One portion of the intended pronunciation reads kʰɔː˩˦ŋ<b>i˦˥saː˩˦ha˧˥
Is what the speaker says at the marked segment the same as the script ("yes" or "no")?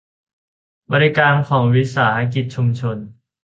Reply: no